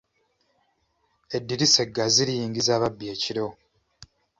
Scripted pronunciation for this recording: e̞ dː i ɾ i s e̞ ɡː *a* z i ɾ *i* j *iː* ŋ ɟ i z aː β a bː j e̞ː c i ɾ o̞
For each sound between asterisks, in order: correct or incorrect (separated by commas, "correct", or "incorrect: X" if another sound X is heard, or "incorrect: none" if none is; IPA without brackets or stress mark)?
correct, correct, correct